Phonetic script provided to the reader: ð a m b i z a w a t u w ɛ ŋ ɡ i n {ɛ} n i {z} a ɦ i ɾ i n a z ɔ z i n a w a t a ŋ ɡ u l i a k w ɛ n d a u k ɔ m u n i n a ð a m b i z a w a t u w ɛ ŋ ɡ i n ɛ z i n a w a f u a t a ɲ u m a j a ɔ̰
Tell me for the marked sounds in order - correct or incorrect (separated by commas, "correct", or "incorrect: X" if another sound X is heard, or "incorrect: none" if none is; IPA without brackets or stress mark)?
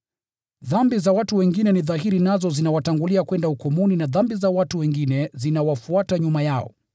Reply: correct, incorrect: ð